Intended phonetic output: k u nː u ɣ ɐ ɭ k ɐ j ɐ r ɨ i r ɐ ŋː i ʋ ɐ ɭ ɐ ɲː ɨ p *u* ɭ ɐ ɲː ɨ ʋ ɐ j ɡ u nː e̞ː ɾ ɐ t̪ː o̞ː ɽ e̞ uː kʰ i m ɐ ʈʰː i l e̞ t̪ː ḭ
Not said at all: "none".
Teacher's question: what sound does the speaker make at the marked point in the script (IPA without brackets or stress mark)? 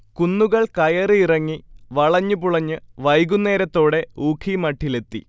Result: u